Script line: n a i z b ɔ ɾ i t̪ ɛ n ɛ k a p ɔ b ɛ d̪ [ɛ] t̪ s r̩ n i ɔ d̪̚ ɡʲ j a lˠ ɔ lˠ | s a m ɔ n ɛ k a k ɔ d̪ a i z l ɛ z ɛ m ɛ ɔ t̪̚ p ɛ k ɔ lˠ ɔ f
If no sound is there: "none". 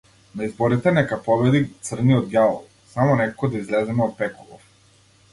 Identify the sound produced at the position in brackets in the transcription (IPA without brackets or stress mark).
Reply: i